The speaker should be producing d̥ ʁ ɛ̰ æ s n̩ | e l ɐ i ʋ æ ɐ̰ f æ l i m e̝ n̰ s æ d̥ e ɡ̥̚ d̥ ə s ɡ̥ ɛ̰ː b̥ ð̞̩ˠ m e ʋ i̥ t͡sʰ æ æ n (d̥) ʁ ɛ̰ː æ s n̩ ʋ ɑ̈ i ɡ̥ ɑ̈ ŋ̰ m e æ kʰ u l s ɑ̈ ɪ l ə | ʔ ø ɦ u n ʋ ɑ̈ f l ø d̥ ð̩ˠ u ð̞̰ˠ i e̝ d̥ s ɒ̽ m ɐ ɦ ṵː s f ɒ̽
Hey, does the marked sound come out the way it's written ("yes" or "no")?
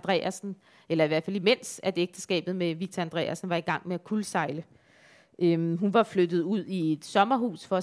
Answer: yes